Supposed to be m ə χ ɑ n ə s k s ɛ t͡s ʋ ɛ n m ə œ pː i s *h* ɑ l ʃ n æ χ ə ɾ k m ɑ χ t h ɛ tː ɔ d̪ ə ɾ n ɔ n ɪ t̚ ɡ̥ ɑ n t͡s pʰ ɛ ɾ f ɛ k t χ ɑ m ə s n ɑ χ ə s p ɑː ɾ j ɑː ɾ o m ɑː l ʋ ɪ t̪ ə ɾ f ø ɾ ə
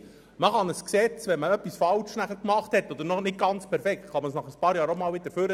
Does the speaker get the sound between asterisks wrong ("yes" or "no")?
yes